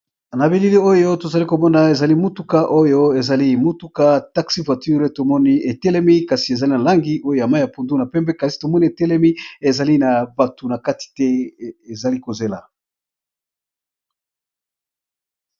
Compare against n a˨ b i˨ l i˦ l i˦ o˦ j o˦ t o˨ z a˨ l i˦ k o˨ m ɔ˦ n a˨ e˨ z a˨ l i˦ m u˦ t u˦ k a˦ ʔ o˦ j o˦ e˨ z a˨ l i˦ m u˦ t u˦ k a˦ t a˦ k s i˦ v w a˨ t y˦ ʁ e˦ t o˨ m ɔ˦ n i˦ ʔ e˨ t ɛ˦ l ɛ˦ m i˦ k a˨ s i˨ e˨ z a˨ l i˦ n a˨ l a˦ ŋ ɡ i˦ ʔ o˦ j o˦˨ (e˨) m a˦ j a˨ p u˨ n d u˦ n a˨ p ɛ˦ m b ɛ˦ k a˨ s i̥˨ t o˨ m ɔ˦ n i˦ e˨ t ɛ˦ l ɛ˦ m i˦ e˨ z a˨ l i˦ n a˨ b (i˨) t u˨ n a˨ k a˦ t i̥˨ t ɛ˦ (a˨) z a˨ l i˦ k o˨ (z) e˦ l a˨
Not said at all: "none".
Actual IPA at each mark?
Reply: a˨, a˨, e˨, z

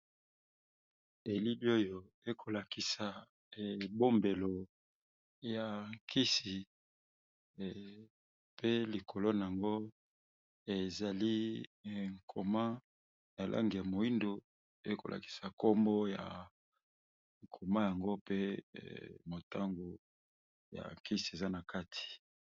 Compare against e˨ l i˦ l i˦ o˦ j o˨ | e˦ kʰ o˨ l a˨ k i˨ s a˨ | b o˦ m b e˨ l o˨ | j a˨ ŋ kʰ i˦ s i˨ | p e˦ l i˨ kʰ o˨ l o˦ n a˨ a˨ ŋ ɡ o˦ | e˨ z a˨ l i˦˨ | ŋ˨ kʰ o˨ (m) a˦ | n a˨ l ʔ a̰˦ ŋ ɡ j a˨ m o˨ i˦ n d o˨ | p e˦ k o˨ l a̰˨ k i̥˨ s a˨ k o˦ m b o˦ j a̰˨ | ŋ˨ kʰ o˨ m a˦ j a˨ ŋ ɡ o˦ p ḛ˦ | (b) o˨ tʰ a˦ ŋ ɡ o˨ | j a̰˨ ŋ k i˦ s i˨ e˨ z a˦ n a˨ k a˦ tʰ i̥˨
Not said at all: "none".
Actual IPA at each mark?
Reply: m, m

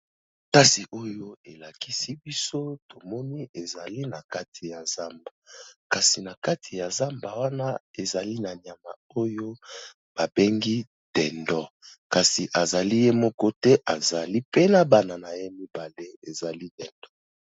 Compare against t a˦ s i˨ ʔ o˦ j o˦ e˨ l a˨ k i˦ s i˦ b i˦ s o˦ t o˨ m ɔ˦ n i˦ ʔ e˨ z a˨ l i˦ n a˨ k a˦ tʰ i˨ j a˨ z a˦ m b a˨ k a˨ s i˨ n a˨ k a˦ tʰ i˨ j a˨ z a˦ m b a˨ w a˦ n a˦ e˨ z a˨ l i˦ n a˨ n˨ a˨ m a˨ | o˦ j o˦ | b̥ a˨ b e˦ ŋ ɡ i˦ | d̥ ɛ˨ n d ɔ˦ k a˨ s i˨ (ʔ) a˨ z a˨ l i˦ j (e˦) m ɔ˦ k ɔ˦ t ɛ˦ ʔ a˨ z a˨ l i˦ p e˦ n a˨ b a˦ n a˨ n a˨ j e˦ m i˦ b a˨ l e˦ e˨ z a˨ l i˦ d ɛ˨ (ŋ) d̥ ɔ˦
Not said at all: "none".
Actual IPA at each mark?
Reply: ʔ, e˦, n

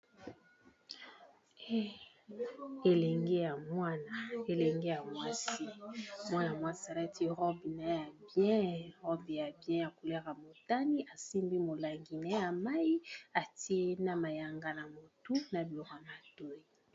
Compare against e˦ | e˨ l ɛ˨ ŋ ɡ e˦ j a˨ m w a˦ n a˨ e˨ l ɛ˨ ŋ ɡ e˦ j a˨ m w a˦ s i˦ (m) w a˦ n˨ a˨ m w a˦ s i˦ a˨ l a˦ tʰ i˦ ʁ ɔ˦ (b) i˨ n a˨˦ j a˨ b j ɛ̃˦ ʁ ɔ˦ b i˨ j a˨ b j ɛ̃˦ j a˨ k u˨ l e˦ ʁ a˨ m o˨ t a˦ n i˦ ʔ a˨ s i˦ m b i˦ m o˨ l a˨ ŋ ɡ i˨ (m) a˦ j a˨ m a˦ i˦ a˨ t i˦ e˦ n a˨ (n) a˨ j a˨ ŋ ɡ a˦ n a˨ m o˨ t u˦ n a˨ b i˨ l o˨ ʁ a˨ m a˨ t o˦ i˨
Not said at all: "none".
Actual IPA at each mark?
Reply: m, b, n, m

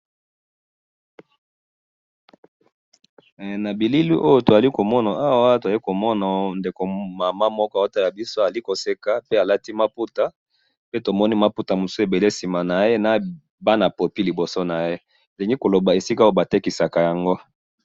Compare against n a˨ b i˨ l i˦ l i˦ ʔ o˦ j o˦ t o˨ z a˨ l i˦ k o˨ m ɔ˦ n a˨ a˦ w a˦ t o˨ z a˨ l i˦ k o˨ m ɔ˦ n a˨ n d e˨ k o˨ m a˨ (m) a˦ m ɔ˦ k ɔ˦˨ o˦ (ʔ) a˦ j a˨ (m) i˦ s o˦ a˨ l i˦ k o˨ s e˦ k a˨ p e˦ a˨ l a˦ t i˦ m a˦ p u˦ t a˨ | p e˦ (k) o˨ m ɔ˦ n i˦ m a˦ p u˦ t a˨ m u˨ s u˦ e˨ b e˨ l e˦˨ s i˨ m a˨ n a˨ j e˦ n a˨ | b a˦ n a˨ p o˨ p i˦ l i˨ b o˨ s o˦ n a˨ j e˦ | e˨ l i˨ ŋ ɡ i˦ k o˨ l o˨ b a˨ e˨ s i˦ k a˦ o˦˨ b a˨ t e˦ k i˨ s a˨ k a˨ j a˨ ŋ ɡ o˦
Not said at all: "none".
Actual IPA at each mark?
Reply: m, t, b, t

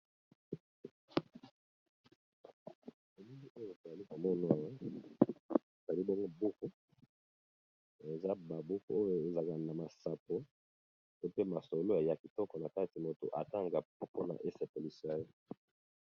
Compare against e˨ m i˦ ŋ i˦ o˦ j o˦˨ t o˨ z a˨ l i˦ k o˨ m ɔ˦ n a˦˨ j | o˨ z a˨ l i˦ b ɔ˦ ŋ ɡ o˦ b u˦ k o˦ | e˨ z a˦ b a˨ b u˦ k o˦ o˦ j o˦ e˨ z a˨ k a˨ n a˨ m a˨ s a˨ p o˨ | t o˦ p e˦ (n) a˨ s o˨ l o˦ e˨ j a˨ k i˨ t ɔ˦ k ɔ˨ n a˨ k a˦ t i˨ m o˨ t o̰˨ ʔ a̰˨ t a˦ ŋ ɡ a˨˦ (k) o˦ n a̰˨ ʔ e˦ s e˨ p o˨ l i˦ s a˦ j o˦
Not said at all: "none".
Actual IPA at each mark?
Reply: m, p

